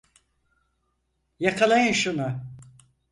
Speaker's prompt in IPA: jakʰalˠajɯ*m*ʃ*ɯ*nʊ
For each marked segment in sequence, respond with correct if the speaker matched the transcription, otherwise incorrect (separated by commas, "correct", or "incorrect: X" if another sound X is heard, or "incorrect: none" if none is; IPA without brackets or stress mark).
incorrect: n, incorrect: u